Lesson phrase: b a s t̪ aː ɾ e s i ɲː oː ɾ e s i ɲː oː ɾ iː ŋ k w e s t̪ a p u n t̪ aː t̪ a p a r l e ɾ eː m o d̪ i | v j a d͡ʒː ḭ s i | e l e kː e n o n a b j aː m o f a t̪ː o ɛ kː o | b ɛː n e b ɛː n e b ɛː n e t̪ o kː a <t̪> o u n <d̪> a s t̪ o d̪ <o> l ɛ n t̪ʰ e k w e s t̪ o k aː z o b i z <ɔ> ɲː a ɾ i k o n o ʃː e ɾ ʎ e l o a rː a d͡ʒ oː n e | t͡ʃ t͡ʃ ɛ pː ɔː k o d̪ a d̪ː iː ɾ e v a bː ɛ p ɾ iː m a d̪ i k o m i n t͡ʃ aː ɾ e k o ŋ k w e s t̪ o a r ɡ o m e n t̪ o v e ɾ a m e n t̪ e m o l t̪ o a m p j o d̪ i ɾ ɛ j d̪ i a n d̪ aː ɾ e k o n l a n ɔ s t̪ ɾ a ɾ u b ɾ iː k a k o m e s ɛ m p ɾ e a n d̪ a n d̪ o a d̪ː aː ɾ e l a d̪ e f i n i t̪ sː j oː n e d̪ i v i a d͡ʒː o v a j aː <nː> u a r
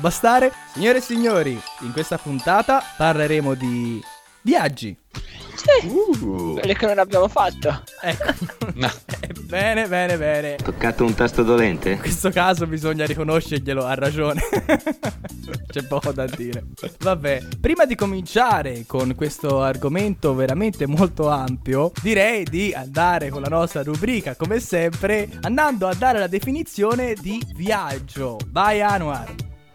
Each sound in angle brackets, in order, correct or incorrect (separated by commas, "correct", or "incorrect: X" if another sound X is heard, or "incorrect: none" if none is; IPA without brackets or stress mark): correct, incorrect: t̪, correct, incorrect: o, incorrect: n